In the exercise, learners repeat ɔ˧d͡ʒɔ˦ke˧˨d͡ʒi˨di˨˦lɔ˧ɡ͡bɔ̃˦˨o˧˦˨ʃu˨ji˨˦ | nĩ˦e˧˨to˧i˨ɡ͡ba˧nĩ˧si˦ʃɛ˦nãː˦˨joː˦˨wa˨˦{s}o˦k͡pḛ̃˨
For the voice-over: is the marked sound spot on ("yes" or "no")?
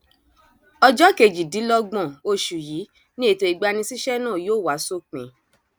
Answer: yes